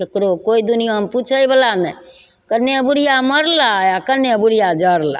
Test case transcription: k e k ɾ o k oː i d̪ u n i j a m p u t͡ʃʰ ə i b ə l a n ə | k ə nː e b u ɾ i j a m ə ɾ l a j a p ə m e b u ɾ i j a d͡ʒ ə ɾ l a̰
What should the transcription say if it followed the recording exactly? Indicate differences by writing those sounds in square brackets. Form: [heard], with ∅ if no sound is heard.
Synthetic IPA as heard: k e k ɾ o k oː i d̪ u n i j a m p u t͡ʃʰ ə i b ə l a n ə | k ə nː e b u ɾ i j a m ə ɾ l a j a [k] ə [n] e b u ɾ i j a d͡ʒ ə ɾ l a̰